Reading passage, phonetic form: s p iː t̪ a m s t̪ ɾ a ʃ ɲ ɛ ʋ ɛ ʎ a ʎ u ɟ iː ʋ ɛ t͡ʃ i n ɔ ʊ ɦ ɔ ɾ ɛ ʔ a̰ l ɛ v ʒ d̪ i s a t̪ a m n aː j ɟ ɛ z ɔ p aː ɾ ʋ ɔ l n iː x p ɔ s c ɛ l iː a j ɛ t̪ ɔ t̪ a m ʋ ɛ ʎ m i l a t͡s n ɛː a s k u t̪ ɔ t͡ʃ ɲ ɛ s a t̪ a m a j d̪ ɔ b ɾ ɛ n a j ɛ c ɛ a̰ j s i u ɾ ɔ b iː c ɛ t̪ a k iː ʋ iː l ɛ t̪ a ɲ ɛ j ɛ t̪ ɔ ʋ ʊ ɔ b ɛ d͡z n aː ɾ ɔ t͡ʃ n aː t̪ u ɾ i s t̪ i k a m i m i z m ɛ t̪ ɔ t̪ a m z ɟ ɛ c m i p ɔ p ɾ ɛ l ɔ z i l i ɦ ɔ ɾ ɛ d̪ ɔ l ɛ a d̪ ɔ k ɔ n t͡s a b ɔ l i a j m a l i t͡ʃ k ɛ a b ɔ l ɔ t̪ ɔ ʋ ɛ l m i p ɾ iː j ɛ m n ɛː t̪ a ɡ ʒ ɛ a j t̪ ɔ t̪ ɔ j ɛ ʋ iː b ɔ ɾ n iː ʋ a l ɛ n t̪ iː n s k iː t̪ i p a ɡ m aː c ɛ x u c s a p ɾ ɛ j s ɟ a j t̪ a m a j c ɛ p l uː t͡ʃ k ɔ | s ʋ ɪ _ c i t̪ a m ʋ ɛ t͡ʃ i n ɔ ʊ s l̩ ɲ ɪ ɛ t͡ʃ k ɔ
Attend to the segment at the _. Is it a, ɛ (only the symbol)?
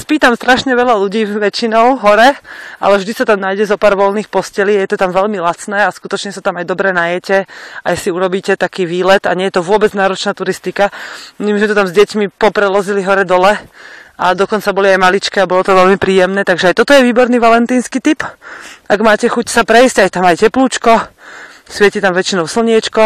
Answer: ɛ